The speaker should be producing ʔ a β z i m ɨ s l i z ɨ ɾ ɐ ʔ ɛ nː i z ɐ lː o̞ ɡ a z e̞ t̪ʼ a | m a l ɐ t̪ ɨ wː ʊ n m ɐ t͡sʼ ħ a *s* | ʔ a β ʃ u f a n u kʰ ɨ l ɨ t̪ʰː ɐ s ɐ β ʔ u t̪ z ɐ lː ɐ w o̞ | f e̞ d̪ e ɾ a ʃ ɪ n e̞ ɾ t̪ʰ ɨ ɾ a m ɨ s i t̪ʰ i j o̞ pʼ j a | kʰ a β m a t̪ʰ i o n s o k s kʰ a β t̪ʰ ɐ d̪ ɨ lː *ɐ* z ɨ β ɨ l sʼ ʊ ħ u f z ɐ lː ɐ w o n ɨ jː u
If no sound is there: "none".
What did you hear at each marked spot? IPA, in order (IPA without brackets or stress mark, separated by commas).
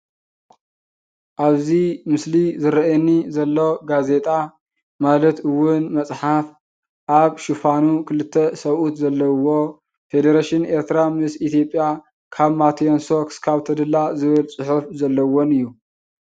f, a